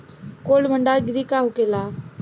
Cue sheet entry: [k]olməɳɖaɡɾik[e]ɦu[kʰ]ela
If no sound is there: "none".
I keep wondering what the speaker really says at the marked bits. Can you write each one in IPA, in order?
k, a, k

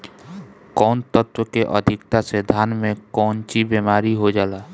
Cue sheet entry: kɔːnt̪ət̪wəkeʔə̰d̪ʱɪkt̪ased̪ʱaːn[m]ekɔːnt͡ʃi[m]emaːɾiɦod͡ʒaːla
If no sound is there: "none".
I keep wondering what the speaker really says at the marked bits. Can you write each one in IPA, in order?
m, b

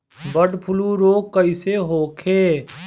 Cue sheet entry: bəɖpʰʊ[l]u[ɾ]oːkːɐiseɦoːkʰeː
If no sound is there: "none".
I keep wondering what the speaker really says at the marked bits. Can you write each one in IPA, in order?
l, ɾ

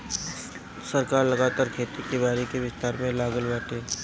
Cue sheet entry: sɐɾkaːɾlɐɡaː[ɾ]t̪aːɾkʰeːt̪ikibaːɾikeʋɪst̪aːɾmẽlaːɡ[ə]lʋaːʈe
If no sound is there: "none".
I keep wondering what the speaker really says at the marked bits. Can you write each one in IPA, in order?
none, ə

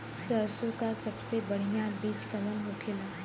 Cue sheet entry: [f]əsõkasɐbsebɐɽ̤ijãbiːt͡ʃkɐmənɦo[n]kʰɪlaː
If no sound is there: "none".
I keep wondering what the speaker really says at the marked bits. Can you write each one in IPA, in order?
s, none

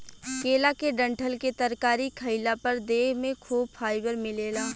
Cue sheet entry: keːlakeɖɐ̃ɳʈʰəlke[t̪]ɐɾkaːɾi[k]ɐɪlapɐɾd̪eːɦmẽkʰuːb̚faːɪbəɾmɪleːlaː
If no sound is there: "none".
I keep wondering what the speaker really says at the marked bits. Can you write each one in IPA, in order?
t̪, kʰ

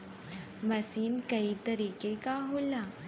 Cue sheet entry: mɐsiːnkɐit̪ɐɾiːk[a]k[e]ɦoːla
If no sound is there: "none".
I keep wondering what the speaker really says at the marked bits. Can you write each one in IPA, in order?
e, a

